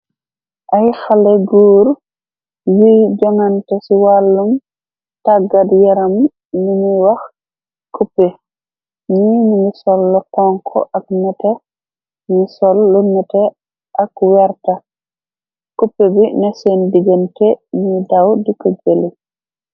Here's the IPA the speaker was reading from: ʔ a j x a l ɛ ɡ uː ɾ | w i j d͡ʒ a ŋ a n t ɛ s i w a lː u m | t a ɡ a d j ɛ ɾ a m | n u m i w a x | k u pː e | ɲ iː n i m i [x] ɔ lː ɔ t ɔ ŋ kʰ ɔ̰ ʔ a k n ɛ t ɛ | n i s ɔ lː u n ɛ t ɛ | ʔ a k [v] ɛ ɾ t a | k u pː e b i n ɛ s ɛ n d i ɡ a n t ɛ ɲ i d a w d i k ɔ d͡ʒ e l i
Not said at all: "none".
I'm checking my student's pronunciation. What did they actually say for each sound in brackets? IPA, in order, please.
s, w

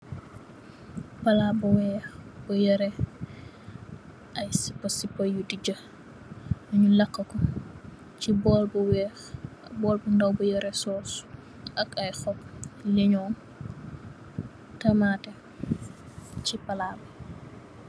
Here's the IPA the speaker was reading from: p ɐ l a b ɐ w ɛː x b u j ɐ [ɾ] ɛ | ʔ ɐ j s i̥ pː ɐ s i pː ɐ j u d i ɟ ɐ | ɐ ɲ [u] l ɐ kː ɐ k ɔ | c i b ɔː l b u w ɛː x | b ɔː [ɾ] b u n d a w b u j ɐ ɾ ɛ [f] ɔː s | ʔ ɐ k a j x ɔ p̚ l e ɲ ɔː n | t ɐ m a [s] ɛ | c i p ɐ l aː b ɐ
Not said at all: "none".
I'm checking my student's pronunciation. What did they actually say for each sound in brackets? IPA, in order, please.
ɾ, u, l, s, t

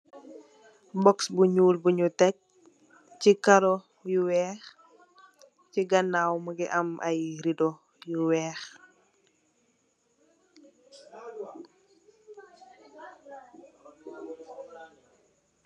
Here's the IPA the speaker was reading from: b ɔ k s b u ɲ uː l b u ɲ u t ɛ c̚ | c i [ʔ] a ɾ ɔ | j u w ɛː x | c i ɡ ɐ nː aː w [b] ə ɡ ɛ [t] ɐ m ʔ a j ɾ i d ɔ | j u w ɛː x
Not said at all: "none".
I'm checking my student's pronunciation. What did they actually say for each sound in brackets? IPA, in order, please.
k, m, ʔ

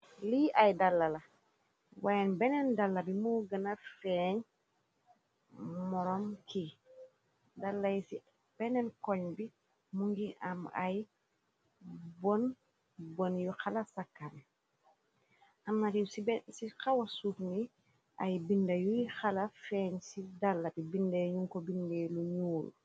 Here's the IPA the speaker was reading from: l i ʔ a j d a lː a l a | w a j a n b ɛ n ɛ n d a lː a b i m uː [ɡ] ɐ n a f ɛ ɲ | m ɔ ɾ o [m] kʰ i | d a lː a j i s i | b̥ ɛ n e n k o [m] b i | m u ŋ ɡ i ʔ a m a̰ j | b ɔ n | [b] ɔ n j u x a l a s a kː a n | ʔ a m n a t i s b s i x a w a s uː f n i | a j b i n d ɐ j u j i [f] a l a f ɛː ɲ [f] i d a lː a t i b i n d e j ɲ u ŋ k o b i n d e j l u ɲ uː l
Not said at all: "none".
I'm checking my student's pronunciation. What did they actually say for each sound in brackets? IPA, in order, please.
ɡ, m, ɲ, b, x, s

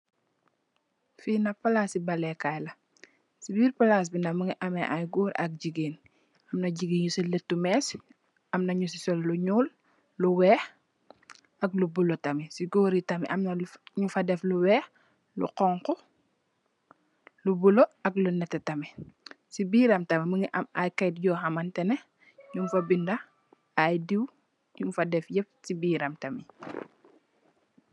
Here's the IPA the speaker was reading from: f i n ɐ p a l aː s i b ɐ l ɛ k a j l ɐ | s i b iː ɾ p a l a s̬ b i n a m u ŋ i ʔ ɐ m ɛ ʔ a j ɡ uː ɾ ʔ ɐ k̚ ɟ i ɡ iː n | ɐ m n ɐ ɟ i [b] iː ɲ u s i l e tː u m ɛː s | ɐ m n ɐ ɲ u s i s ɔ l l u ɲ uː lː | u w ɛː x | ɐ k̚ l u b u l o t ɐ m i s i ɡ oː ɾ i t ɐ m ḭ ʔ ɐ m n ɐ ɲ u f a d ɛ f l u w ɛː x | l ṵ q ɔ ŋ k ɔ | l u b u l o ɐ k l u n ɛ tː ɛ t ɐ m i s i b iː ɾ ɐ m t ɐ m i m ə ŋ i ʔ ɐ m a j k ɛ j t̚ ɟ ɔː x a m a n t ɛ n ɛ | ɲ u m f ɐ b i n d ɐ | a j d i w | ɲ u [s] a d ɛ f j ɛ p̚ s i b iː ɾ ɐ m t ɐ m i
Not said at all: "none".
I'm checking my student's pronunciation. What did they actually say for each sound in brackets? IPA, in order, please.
ɡ, f

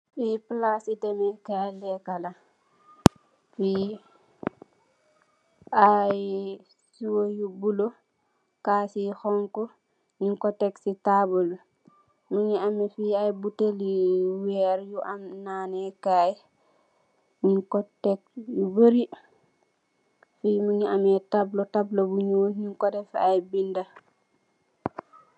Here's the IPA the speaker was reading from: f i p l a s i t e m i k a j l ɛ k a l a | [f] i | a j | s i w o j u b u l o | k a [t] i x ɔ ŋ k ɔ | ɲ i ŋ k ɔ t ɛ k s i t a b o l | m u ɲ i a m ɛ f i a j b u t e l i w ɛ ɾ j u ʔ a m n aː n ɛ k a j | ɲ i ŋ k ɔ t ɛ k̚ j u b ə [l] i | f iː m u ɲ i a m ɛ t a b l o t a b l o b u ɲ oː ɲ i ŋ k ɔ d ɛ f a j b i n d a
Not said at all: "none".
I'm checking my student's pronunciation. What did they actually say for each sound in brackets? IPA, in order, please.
f, s, ɾ

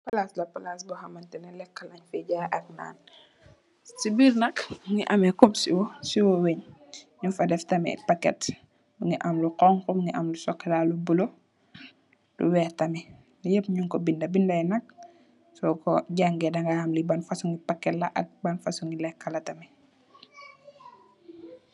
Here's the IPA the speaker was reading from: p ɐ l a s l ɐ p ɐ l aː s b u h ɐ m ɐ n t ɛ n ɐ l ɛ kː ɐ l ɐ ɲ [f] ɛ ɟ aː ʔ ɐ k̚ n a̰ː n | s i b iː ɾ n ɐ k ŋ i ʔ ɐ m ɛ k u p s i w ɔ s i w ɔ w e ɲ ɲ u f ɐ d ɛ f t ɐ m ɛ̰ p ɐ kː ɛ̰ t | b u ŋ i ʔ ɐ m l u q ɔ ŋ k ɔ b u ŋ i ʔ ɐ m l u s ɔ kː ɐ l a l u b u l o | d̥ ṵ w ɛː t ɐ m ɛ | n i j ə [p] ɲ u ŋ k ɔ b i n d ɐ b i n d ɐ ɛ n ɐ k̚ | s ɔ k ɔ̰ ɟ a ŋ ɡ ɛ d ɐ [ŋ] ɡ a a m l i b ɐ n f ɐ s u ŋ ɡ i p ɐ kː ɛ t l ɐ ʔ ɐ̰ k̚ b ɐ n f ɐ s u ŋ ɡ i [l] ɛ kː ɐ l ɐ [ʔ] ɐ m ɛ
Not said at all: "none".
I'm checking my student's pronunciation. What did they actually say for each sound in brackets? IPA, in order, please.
f, p, ŋ, l, t

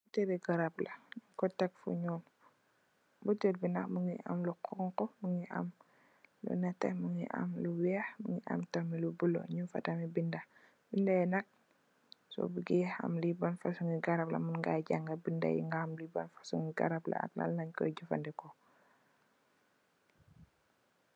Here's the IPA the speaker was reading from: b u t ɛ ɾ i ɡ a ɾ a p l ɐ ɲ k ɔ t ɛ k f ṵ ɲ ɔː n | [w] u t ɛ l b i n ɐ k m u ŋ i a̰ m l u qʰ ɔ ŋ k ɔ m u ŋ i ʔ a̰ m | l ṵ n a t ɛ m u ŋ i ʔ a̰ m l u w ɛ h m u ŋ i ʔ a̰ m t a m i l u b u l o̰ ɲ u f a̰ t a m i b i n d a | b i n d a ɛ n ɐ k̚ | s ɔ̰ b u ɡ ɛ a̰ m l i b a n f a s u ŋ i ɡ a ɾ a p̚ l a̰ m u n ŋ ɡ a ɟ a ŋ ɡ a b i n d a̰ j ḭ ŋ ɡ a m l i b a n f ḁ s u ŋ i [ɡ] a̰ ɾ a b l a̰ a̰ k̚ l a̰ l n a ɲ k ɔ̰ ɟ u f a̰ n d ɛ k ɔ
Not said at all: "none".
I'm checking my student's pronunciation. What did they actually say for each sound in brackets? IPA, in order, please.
b, ɡ

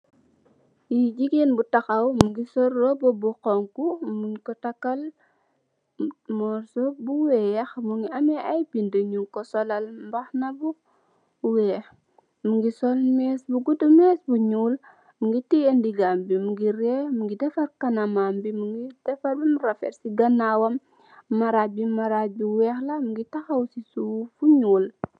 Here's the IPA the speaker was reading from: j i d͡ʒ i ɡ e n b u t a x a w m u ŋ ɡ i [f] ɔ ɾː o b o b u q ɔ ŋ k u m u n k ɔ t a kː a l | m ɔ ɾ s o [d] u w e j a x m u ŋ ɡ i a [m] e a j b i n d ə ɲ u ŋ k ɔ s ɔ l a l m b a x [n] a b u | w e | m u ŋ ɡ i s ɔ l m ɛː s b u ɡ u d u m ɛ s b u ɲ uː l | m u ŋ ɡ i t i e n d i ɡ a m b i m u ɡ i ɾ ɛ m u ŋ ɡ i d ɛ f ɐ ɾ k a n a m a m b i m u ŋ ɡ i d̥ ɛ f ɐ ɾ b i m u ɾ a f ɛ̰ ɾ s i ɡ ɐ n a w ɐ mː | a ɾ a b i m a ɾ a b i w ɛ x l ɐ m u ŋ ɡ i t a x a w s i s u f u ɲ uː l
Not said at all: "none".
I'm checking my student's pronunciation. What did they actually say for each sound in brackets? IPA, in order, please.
s, b, m, n

